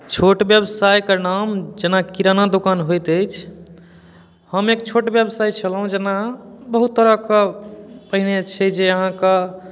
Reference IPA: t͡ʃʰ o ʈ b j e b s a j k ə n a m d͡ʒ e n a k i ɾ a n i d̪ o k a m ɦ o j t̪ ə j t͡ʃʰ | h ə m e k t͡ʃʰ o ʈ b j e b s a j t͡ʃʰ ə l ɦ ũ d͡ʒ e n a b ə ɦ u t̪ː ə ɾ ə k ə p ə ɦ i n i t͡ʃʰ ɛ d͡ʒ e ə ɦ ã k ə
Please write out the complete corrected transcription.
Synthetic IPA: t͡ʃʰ o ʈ b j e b s a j k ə n a m d͡ʒ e n a k i ɾ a n a d̪ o k a n ɦ o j t̪ ə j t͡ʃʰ | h ə m e k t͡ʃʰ o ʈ b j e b s a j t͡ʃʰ ə l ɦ ũ d͡ʒ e n a b ə ɦ u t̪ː ə ɾ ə k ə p ə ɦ i n e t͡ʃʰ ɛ d͡ʒ e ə ɦ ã k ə